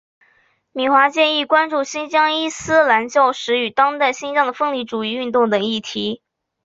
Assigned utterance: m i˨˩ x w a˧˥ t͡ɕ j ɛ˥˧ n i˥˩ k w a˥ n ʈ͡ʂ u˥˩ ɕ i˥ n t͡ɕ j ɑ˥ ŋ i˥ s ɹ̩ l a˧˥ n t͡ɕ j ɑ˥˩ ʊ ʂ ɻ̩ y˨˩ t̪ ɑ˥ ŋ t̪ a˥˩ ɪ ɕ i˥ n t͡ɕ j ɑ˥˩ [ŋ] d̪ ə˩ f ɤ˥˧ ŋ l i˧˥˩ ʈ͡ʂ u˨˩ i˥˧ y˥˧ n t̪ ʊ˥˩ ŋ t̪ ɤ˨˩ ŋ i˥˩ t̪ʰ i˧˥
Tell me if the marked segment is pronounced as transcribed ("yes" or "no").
yes